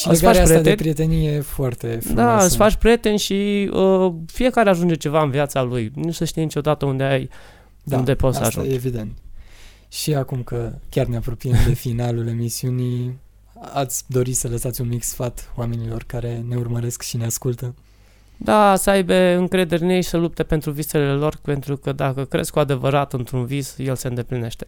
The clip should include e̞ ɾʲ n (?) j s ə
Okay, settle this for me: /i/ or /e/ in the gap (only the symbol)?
e